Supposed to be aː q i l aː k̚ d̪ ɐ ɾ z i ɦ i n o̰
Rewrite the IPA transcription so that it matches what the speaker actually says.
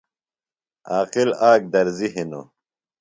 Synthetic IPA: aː q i l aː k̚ d̪ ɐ ɾ z i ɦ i n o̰